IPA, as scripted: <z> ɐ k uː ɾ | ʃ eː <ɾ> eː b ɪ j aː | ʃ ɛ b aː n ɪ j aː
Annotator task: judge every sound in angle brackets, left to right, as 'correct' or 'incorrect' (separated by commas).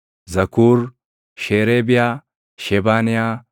correct, correct